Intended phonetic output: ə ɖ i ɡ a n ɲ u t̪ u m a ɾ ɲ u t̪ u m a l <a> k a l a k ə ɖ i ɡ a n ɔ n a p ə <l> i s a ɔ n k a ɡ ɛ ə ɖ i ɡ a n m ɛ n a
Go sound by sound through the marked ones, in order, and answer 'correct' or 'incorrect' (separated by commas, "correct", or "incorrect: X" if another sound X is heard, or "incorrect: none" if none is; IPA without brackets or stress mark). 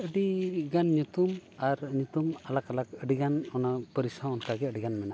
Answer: correct, incorrect: ɾ